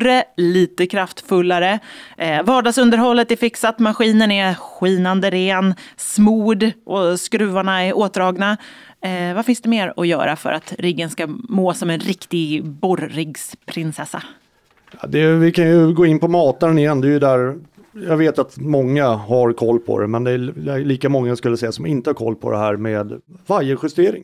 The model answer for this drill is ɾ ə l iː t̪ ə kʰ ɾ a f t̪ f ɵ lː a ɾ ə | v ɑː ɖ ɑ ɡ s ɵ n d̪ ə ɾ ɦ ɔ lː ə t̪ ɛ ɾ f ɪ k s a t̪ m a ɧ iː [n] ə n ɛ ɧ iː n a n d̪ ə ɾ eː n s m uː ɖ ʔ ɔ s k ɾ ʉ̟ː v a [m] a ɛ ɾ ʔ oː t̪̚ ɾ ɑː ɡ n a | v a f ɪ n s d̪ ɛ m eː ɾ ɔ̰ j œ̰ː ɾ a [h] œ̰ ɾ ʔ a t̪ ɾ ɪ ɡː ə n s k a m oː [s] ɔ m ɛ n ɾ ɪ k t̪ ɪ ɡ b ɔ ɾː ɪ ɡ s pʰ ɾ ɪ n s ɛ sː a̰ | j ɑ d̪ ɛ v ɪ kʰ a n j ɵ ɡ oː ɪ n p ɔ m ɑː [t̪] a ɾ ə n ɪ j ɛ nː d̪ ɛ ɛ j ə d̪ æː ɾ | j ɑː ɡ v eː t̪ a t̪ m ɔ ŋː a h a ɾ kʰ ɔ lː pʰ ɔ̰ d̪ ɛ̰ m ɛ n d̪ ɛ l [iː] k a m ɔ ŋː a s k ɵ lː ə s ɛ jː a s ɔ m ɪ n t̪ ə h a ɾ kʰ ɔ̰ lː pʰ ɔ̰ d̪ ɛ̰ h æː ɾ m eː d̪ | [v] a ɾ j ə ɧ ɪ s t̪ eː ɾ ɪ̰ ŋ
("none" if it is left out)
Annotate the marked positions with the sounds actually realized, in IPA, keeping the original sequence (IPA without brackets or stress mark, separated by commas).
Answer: n, ɳ, f, s, t̪, iː, v